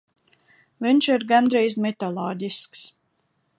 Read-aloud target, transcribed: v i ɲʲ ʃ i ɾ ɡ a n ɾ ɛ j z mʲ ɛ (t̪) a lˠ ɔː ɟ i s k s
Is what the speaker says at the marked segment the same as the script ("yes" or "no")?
yes